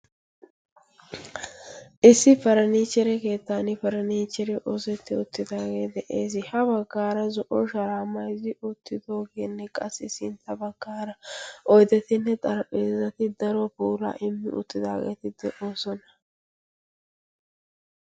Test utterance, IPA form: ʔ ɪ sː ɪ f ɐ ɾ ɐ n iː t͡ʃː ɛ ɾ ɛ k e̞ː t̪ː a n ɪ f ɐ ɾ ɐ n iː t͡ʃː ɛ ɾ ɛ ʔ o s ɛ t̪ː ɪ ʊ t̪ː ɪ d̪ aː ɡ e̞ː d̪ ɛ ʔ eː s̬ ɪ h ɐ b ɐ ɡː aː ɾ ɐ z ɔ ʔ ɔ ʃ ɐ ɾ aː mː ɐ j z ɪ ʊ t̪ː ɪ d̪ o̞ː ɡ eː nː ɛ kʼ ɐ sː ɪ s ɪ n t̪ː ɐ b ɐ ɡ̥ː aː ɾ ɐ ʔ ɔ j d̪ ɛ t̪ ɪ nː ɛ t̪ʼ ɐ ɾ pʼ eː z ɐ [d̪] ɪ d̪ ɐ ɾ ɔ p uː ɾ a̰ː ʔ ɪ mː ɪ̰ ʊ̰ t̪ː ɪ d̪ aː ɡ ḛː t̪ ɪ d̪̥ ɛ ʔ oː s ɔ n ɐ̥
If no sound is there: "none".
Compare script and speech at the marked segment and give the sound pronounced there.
t̪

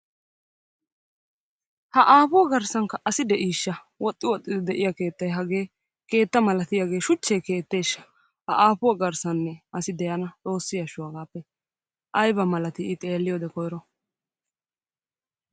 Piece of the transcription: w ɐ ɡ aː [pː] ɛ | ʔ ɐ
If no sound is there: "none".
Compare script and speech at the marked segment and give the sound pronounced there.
pː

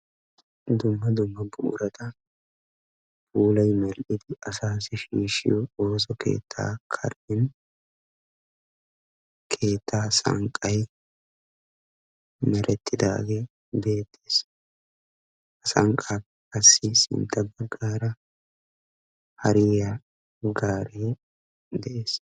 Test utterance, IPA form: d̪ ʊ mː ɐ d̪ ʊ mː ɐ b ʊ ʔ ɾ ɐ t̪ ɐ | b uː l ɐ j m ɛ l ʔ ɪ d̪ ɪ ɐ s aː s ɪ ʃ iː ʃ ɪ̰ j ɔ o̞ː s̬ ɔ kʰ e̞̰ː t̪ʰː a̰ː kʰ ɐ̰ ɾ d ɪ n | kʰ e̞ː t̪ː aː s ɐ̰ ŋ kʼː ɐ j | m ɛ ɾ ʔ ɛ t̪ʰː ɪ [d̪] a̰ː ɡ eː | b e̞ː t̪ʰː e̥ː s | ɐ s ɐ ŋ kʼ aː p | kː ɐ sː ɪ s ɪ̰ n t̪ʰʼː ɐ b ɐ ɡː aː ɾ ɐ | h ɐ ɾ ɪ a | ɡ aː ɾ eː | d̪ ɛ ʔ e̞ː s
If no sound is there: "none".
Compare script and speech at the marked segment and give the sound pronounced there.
d̪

